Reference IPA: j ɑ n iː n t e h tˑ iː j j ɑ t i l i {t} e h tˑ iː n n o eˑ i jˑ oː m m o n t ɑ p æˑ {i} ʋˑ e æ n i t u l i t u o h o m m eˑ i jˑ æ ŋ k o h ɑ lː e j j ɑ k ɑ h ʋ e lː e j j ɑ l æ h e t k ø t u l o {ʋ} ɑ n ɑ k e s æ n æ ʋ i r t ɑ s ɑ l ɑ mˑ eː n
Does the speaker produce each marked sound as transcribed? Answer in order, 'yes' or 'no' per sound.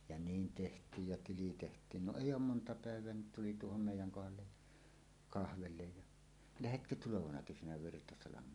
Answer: yes, no, yes

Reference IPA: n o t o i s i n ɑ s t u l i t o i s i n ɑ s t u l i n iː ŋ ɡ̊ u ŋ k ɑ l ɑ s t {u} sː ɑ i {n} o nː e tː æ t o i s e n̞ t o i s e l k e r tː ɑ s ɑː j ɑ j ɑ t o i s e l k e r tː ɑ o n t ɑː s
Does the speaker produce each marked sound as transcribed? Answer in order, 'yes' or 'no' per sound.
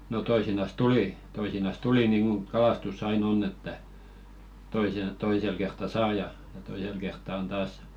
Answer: yes, yes

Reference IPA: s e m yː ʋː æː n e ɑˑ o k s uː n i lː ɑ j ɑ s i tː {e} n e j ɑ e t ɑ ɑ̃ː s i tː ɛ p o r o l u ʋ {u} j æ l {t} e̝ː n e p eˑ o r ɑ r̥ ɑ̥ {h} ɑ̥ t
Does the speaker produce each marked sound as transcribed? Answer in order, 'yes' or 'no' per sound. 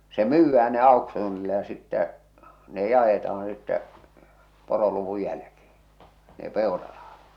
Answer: no, yes, no, yes

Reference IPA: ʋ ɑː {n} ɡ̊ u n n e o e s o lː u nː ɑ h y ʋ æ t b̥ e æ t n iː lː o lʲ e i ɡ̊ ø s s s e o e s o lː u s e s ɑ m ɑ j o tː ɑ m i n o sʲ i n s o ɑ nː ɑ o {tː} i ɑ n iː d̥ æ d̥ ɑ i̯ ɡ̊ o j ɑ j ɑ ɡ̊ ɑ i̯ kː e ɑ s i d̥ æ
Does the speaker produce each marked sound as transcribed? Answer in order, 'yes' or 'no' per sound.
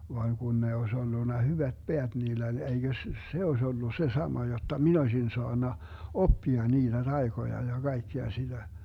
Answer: no, no

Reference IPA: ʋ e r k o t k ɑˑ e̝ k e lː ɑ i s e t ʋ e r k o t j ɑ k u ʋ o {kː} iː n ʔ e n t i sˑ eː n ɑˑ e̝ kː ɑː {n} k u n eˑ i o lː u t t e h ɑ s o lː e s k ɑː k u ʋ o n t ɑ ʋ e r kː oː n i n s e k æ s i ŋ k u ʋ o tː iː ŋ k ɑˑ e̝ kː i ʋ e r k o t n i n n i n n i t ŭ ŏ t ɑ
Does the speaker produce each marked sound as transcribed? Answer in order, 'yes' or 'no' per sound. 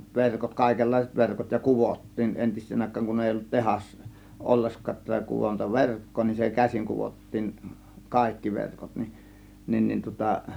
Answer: no, no

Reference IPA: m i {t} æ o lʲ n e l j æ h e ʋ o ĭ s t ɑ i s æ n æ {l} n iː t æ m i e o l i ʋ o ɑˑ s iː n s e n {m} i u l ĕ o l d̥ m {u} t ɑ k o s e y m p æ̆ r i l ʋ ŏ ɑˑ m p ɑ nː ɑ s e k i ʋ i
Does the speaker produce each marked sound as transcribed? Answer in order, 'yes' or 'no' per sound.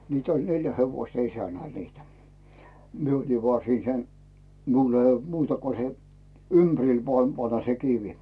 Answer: yes, yes, yes, no

